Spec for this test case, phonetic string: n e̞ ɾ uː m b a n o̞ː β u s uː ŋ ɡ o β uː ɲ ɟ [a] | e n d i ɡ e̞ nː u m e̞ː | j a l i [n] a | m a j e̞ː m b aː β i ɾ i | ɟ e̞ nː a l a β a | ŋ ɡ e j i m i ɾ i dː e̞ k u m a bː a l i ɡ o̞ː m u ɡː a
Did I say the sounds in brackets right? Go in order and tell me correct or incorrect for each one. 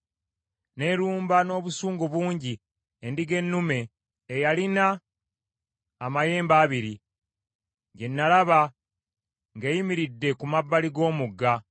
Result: incorrect: i, correct

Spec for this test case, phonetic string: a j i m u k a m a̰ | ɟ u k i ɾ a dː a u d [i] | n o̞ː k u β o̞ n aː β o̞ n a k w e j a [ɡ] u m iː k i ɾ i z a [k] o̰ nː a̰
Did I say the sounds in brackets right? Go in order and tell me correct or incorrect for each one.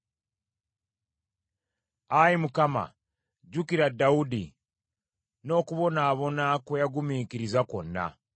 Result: correct, correct, correct

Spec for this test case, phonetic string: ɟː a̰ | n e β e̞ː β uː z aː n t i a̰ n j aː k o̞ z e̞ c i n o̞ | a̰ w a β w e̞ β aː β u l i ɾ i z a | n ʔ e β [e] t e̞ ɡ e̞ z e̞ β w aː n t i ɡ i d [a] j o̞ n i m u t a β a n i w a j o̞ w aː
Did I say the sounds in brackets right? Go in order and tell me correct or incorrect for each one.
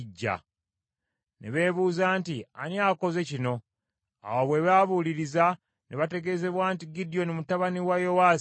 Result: incorrect: a, incorrect: i

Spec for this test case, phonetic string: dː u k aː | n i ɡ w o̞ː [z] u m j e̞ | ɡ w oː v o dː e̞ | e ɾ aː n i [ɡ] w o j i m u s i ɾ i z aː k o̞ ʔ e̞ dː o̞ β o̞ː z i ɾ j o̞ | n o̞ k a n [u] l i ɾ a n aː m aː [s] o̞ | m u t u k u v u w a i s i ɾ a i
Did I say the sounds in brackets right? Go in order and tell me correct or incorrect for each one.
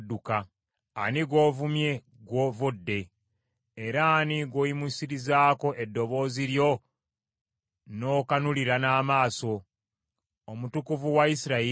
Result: incorrect: v, correct, correct, correct

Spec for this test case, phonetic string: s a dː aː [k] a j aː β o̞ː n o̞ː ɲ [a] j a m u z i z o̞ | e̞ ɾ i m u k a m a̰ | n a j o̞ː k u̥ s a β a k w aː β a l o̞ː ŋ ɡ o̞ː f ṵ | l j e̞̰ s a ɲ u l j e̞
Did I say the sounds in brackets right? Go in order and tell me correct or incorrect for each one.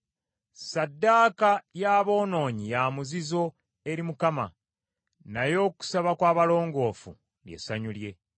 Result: correct, incorrect: i

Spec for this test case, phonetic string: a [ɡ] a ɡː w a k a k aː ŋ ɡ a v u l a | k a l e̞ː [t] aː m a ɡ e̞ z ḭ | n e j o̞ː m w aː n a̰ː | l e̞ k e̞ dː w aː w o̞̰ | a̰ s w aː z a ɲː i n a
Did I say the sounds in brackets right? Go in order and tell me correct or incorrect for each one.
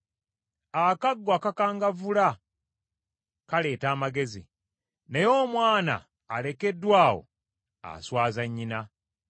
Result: incorrect: k, correct

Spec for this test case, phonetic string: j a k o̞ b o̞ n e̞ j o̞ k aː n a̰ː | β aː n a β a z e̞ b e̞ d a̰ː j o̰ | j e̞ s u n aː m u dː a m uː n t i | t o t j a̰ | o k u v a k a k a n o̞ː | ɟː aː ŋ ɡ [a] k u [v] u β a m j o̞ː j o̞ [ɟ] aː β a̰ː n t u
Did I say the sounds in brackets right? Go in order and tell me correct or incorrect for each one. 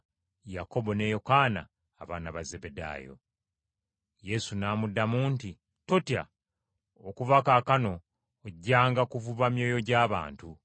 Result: correct, correct, correct

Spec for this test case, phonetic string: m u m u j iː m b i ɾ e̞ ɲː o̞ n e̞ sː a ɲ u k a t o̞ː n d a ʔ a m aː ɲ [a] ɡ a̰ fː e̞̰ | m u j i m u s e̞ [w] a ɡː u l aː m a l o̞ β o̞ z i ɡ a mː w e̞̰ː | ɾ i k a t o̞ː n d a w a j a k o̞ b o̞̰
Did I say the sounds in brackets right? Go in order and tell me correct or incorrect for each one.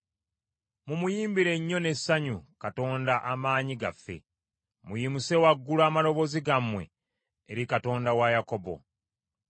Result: incorrect: i, correct

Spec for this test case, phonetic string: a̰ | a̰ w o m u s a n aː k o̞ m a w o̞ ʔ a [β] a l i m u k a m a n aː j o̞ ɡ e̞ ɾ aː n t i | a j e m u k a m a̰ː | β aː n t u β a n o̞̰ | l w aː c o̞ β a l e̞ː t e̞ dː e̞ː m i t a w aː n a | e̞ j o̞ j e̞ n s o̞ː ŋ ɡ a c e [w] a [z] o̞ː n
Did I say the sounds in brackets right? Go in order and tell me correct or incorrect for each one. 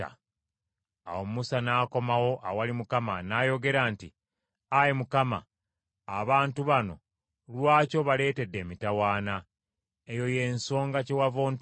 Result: incorrect: w, correct, incorrect: v

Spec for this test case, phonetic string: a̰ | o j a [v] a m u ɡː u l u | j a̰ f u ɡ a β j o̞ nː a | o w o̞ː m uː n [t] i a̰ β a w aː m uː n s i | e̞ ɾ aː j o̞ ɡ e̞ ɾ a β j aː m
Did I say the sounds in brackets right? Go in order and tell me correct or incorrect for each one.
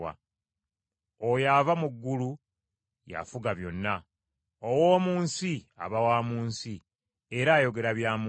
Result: correct, incorrect: s

